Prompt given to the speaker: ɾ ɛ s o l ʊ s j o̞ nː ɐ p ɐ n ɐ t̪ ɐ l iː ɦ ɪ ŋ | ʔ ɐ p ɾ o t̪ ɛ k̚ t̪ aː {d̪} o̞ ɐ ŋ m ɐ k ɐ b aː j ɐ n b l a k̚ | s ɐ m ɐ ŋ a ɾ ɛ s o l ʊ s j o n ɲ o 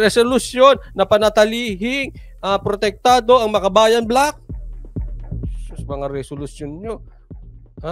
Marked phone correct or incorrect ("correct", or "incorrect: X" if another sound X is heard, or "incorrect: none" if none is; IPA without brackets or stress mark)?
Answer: correct